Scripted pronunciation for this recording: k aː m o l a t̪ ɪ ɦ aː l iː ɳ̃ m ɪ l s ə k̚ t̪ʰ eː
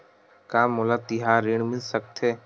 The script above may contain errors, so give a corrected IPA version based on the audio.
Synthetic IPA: k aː m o l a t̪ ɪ ɦ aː ɾ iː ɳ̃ m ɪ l s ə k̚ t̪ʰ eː